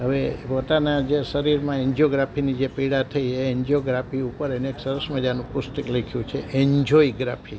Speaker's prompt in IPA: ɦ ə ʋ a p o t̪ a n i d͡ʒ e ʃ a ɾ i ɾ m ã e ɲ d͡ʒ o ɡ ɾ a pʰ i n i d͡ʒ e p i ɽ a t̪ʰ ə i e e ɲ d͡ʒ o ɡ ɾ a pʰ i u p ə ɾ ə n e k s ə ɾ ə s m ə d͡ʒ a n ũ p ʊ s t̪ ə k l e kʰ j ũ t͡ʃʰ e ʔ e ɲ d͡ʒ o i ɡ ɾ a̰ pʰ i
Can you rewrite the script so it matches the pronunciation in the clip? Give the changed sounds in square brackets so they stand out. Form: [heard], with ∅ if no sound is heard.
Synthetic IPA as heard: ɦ ə ʋ [e] p o t̪ a n [a] d͡ʒ e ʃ [ə] ɾ i ɾ m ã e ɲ d͡ʒ o ɡ ɾ a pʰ i n i d͡ʒ e p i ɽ a t̪ʰ ə i e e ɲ d͡ʒ o ɡ ɾ a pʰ i u p ə ɾ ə n e k s ə ɾ ə s m ə d͡ʒ a n ũ p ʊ s t̪ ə k l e kʰ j ũ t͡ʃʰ e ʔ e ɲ d͡ʒ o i ɡ ɾ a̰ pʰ i